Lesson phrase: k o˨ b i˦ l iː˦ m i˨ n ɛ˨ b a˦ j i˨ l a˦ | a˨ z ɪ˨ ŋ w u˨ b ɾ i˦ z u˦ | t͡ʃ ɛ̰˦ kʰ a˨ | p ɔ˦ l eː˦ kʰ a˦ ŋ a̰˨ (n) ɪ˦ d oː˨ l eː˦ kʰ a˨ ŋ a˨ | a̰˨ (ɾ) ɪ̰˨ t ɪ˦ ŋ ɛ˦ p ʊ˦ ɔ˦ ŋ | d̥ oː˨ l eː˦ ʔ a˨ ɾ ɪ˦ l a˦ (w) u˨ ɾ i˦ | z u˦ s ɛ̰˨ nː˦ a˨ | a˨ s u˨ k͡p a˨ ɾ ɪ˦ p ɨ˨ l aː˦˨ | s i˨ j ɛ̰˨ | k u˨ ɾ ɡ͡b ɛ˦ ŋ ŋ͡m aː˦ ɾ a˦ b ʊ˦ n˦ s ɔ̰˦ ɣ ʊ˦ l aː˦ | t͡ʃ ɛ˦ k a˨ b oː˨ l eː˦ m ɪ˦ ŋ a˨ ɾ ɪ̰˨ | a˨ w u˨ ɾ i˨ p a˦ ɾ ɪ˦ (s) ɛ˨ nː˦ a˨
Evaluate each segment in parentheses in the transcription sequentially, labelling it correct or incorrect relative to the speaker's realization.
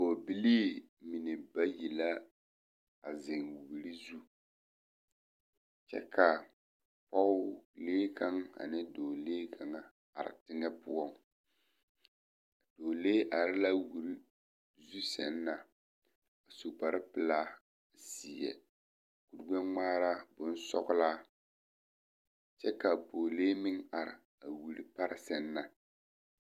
correct, correct, correct, correct

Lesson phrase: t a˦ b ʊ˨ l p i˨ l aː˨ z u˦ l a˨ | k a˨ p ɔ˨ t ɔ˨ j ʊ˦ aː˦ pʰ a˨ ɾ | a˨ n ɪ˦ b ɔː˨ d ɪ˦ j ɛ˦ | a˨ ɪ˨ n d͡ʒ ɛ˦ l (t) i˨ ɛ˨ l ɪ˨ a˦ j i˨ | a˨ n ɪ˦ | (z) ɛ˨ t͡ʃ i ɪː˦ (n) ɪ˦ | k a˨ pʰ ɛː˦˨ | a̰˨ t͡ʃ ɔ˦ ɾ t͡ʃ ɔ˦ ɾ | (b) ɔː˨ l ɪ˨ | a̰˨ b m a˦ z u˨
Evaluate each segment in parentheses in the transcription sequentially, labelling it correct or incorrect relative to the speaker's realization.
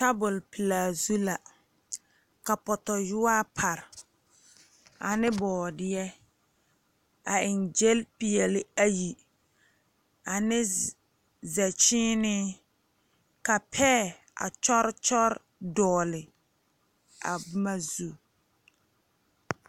incorrect: p, correct, correct, incorrect: d

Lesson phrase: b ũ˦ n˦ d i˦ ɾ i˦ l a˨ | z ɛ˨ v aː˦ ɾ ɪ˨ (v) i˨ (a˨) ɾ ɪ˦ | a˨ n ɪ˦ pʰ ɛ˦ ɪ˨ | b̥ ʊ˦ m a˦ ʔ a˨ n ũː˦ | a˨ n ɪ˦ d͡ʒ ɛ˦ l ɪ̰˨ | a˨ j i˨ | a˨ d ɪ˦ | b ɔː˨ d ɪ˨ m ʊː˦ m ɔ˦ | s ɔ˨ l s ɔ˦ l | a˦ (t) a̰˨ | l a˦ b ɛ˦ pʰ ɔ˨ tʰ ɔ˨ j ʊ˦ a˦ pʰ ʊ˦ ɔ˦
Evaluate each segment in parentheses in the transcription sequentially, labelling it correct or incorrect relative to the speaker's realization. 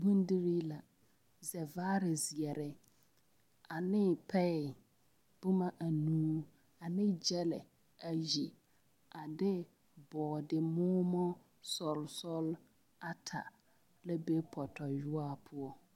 incorrect: z, incorrect: ɛ˨, incorrect: tʰ

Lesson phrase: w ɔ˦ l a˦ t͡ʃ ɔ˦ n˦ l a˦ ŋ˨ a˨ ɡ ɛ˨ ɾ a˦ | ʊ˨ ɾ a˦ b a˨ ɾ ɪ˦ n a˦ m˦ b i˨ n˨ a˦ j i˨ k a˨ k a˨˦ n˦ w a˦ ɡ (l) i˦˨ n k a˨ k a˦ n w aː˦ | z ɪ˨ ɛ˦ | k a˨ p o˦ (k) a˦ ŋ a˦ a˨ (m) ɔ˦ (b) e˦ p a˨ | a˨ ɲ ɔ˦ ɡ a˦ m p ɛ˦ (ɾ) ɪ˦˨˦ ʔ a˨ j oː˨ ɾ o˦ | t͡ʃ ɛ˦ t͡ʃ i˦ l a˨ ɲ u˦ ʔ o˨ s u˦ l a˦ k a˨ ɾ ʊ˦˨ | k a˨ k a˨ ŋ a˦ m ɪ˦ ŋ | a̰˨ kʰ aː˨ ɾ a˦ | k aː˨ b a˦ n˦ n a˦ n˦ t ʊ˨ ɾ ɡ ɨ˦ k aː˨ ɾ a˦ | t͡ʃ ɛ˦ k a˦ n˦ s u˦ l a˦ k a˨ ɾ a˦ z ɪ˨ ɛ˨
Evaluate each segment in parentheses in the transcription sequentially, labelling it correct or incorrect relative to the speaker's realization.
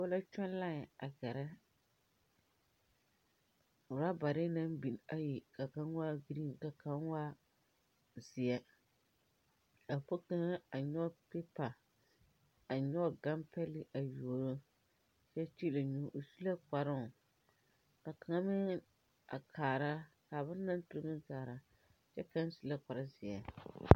incorrect: ɾ, correct, incorrect: ɲ, incorrect: p, incorrect: l

